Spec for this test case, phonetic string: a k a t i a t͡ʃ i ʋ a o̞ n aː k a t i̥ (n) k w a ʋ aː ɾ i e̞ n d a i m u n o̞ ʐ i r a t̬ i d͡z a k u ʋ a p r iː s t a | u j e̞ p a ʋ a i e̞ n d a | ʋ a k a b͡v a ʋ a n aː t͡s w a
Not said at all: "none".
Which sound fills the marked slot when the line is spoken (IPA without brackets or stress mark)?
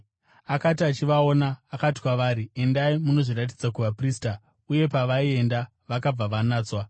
none